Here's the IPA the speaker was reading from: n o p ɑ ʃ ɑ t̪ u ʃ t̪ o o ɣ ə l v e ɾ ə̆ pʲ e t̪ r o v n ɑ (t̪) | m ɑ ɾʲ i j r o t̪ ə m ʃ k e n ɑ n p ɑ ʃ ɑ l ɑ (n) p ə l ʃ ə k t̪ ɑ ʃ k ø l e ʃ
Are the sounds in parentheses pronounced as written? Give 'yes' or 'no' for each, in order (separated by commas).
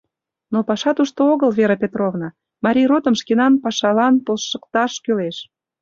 no, yes